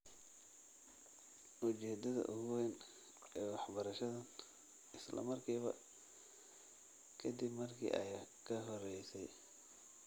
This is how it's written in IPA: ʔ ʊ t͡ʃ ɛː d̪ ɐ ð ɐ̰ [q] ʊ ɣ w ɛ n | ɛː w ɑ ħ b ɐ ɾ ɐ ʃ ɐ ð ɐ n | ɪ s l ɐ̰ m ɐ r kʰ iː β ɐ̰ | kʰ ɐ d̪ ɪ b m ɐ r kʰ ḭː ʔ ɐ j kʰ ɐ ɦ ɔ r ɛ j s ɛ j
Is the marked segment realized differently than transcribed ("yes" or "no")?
yes